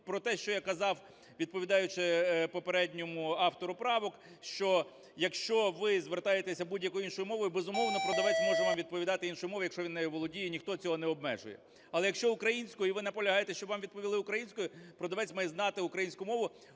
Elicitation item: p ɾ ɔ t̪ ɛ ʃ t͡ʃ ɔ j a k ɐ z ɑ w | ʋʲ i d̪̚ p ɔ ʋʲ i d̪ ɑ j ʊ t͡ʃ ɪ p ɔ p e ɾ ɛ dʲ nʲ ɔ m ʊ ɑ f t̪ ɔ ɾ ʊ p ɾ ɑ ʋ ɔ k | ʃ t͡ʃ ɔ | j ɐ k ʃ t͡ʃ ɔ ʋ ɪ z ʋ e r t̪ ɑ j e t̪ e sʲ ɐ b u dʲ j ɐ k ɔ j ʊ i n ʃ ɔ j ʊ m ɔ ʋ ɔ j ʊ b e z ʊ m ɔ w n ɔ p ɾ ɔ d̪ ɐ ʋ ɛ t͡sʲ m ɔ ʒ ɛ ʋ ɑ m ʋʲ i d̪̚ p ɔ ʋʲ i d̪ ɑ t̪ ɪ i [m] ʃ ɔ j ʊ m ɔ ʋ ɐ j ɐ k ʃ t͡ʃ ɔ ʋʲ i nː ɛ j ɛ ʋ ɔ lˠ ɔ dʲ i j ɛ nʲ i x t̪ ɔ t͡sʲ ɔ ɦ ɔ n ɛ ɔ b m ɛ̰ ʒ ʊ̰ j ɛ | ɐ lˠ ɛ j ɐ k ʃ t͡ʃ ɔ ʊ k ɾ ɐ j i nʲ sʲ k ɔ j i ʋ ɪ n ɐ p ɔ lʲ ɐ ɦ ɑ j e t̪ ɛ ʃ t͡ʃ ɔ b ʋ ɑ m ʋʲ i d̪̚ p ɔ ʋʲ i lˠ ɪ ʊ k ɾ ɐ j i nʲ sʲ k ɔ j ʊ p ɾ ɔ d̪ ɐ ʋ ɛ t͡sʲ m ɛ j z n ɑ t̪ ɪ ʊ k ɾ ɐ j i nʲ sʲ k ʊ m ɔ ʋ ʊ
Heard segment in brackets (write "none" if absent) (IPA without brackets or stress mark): n